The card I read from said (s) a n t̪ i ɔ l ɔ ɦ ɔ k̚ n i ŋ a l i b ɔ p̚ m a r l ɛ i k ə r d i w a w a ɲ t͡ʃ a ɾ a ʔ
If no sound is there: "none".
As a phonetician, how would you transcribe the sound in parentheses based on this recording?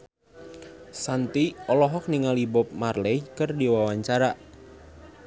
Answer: s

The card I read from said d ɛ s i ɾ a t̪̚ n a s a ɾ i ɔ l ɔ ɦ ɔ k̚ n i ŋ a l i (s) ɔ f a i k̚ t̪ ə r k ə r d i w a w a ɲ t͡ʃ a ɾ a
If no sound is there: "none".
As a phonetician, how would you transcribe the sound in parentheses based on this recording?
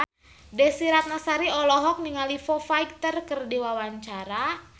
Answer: f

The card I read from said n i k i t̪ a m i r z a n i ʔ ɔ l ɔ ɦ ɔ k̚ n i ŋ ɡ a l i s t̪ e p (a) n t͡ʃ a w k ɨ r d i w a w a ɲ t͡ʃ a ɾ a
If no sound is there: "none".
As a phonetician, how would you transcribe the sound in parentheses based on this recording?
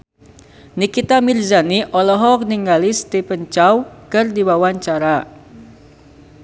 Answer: ə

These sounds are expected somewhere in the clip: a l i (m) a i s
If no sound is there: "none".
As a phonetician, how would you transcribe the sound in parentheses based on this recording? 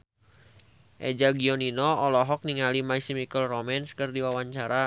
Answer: m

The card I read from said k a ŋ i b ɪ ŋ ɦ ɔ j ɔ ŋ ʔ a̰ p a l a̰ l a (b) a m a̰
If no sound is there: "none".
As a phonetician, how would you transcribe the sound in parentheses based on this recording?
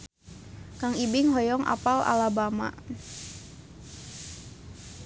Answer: b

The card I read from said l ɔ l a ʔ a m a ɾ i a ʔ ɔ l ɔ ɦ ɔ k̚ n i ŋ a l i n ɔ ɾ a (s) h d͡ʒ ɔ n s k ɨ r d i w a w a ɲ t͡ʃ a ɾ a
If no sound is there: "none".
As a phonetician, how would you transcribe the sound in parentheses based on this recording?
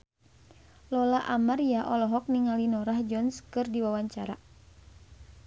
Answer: none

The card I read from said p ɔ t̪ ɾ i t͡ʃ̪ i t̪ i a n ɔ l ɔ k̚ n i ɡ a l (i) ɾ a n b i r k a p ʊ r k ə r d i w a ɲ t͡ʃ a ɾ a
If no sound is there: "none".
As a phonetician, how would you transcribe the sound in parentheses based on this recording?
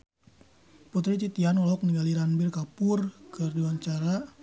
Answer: i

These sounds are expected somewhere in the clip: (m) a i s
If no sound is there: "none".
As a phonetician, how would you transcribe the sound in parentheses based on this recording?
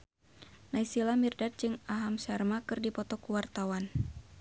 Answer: n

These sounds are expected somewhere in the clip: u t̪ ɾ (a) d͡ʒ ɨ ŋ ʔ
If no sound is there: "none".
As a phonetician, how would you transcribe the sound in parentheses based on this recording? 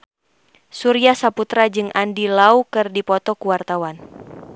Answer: a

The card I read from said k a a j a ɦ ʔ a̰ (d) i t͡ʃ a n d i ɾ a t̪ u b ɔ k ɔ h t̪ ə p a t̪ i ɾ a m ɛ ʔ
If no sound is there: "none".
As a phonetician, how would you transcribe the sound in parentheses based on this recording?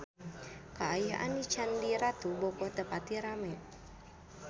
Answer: n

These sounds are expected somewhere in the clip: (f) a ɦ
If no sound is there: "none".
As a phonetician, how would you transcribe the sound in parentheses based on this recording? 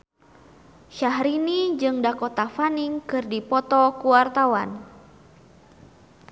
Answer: ʃ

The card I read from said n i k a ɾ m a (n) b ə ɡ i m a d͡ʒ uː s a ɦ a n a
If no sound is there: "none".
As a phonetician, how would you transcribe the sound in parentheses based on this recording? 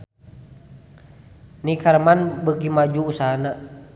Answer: n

